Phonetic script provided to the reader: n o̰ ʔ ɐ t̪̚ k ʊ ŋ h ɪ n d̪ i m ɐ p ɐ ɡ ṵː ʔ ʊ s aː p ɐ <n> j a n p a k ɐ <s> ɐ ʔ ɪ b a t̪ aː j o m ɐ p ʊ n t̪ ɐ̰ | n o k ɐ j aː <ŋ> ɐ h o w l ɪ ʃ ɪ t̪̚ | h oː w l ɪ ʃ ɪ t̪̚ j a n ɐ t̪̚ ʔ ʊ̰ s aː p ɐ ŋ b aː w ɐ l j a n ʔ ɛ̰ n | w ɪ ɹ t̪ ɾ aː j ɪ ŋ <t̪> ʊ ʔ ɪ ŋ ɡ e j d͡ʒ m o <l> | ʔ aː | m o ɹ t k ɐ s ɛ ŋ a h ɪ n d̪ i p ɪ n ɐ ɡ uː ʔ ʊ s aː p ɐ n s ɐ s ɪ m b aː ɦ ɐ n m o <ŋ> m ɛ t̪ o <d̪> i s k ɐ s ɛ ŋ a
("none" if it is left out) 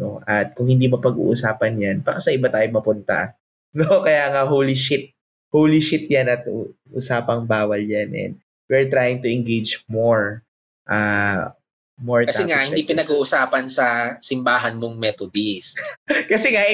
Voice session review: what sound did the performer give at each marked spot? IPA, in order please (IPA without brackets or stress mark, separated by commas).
n, s, ŋ, t̪, ɹ, ŋ, d̪